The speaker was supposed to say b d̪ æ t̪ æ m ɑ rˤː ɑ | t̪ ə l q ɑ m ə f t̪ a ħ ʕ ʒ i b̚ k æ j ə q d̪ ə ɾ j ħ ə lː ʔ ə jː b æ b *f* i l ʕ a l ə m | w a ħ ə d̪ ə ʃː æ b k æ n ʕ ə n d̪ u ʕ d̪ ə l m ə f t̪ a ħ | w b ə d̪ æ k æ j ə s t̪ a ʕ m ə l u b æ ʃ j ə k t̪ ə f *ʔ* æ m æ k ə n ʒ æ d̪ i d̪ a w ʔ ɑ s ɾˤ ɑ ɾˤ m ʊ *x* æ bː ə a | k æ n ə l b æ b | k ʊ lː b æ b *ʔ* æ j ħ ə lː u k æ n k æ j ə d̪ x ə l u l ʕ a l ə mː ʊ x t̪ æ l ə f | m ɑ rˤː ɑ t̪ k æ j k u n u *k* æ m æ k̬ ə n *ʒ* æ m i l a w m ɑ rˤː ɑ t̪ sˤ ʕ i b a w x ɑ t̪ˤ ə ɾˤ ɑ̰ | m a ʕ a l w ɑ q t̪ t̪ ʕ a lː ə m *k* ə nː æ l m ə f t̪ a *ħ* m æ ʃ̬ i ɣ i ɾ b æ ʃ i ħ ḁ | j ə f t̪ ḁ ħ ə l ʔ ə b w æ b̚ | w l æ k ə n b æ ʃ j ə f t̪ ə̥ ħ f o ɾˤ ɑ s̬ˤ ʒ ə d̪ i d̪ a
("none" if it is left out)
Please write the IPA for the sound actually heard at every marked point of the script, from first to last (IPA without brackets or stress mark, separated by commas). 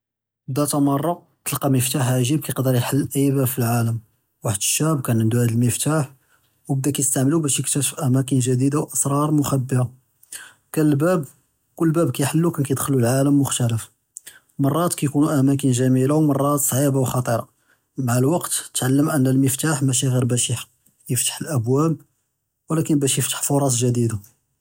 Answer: f, ʔ, x, k, ʔ, ʒ, ʔ, ħ